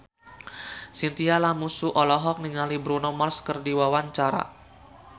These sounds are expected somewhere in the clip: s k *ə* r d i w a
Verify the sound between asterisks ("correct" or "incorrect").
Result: correct